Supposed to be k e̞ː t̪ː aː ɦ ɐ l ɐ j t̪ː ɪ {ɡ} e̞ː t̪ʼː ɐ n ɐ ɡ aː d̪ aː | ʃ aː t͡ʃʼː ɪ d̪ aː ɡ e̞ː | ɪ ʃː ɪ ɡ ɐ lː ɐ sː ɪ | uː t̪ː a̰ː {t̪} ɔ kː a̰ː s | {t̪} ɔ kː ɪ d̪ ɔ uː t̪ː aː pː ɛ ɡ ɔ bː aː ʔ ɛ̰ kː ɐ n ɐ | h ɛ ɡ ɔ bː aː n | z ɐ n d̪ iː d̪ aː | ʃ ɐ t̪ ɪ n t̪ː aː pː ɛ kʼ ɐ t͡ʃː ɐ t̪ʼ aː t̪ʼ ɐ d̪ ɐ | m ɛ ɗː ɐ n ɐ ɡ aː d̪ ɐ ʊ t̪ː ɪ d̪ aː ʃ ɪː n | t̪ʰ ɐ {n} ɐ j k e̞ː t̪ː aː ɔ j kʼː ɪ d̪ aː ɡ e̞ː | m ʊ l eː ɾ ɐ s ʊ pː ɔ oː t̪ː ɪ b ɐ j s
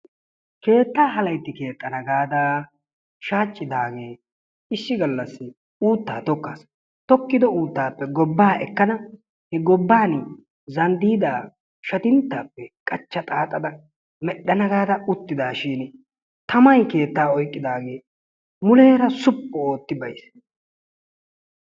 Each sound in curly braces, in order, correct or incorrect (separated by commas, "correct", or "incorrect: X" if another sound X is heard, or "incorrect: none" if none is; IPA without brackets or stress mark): incorrect: k, correct, correct, incorrect: m